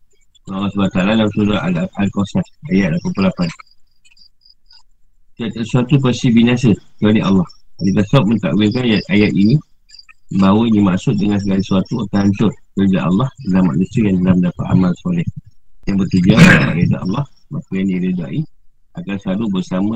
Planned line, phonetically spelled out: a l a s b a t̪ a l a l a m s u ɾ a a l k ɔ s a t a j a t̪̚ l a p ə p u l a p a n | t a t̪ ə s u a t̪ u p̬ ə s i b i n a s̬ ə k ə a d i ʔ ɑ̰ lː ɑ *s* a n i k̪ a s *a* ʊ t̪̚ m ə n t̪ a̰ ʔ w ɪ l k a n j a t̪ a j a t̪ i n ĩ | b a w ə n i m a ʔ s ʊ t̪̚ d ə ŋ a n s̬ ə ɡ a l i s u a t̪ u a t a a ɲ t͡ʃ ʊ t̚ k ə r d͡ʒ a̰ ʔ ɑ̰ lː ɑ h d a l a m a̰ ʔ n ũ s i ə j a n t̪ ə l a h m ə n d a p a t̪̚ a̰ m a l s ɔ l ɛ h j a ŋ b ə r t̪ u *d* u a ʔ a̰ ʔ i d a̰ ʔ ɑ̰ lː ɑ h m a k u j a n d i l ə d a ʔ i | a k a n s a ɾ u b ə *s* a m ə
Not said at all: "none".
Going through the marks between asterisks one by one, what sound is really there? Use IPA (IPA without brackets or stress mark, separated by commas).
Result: h, a, d͡ʒ, s